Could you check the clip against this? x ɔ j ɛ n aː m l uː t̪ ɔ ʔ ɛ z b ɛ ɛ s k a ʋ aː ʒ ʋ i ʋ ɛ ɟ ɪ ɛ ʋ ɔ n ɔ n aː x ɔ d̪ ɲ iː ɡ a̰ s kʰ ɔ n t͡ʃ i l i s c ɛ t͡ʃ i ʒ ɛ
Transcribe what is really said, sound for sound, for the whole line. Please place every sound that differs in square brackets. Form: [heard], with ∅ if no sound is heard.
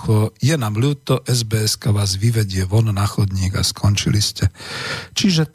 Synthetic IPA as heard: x ɔ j ɛ n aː m l uː t̪ ɔ ʔ ɛ z b ɛ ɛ s k a ʋ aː [z] ʋ i ʋ ɛ ɟ ɪ ɛ ʋ ɔ n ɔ n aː x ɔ d̪ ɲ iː ɡ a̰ s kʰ ɔ n t͡ʃ i l i s c ɛ t͡ʃ i ʒ ɛ